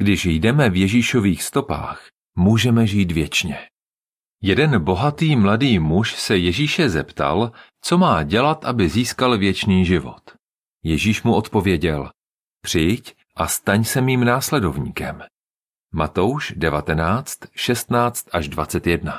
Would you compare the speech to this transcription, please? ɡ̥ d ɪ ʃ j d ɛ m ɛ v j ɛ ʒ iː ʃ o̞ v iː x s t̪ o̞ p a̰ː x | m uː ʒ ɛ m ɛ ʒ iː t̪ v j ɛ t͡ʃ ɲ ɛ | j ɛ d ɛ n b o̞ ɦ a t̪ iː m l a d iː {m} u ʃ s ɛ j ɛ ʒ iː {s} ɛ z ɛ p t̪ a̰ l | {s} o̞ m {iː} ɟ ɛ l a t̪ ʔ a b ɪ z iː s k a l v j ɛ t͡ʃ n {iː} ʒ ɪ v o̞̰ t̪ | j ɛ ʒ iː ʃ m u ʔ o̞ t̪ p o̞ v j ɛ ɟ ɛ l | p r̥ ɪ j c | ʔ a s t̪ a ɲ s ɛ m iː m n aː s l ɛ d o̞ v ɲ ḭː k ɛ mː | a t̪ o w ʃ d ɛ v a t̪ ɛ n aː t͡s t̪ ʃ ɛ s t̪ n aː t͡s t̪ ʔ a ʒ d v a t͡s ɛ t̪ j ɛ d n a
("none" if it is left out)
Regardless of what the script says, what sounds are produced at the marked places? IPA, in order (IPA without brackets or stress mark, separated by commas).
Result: m, ʃ, t͡s, aː, iː